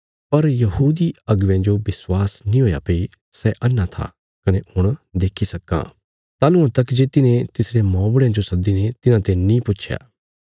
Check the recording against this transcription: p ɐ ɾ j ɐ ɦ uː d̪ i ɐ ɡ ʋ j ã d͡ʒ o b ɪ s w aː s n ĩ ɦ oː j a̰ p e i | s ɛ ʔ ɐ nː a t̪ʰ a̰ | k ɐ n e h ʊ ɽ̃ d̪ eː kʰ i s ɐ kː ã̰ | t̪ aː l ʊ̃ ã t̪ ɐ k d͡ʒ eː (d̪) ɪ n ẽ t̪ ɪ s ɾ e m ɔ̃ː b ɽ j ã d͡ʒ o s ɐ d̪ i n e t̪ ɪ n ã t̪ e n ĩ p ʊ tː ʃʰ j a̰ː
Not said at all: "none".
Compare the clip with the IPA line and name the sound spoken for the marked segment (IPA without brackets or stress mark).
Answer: t̪